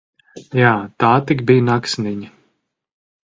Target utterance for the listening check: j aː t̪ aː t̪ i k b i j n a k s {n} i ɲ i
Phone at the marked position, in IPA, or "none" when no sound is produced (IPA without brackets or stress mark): n